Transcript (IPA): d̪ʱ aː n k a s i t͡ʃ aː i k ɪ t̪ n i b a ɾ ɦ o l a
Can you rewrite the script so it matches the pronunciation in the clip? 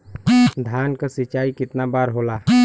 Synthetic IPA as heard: d̪ʱ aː n k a s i t͡ʃ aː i k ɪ t̪ n a b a ɾ ɦ o l a